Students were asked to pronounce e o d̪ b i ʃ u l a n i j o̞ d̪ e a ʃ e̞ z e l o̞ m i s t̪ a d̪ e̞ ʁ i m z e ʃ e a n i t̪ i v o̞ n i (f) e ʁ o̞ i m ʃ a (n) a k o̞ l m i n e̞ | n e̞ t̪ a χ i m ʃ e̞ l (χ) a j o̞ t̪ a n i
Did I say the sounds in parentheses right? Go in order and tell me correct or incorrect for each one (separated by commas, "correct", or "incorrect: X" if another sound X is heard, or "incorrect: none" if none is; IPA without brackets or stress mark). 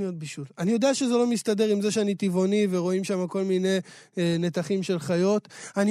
incorrect: v, incorrect: m, correct